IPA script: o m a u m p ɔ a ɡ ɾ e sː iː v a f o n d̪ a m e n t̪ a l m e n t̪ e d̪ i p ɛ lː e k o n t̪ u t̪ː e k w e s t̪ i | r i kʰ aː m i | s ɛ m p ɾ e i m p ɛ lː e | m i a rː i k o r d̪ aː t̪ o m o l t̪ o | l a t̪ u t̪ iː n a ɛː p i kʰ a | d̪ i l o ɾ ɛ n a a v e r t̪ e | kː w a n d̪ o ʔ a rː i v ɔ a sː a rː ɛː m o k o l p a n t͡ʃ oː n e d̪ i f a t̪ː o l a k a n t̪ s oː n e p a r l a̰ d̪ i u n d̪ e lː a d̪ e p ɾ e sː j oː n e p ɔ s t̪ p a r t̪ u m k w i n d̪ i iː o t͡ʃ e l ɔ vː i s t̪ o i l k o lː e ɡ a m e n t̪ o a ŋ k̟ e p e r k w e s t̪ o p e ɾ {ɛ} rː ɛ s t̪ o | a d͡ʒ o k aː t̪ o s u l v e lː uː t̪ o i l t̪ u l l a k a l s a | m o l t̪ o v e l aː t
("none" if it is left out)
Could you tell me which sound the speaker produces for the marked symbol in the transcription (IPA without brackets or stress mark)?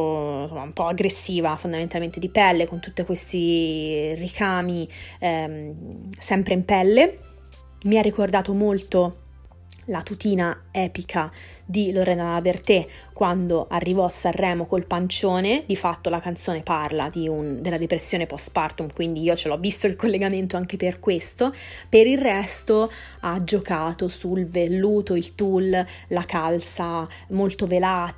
i